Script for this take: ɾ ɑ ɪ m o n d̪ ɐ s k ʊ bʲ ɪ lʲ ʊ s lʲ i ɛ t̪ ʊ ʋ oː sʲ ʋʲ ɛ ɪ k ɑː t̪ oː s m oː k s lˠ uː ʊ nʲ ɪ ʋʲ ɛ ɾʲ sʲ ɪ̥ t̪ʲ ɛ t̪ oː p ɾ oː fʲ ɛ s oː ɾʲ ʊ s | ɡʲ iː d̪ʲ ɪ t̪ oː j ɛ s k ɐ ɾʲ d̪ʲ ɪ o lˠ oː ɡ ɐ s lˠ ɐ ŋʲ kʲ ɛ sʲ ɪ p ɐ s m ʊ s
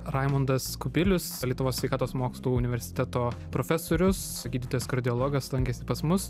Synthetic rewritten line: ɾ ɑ ɪ m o n d̪ ɐ s k ʊ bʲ ɪ lʲ ʊ s lʲ i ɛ t̪ ʊ ʋ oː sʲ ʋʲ ɛ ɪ k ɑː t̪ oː s m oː k s lˠ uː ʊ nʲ ɪ ʋʲ ɛ ɾʲ sʲ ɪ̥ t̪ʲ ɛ t̪ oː p ɾ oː fʲ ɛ s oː ɾʲ ʊ s | ɡʲ iː d̪ʲ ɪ t̪ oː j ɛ s k ɐ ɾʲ d̪ʲ ɪ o lˠ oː ɡ ɐ s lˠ ɐ ŋʲ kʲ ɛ sʲ ɪ p ɐ s m ʊ s